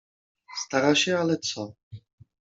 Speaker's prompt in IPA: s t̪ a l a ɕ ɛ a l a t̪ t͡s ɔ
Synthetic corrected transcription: s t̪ a ɾ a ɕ ɛ a l ɛ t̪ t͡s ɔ